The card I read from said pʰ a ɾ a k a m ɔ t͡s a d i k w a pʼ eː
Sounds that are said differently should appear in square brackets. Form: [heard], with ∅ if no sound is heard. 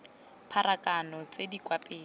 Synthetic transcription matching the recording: pʰ a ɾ a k a [n] ɔ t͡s [e] d i k w a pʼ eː

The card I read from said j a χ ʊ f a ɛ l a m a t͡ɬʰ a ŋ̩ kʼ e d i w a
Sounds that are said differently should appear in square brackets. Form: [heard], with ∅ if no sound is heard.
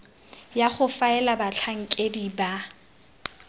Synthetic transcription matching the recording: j a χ ʊ f a ɛ l a [b] a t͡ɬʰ a ŋ̩ kʼ e d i [b] a

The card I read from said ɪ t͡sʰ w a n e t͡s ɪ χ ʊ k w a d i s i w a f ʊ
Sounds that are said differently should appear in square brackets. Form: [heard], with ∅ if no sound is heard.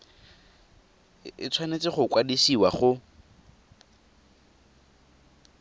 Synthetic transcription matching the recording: ɪ t͡sʰ w a n e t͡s ɪ χ ʊ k w a d i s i w a [χ] ʊ

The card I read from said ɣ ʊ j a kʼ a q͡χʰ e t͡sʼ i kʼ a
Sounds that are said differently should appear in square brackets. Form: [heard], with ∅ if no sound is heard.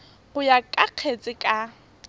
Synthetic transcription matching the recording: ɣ ʊ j a kʼ a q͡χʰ e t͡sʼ [ɪ] kʼ a

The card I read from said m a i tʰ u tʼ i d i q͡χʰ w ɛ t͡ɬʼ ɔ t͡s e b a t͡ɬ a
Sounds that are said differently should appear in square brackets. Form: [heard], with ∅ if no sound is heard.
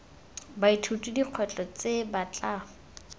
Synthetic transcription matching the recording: [b] a i tʰ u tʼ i d i q͡χʰ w ɛ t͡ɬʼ ɔ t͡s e b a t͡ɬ a

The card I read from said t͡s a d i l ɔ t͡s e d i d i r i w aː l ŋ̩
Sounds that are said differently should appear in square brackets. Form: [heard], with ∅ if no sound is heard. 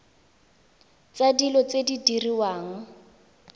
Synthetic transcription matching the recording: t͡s a d i l ɔ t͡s e d i d i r i w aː [∅] ŋ̩

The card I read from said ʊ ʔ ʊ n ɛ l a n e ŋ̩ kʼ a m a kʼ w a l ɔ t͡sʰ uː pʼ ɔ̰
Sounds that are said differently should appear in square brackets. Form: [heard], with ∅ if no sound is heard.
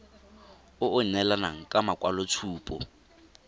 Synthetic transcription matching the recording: ʊ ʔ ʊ n ɛ l a n [a] ŋ̩ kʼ a m a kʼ w a l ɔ t͡sʰ uː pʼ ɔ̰

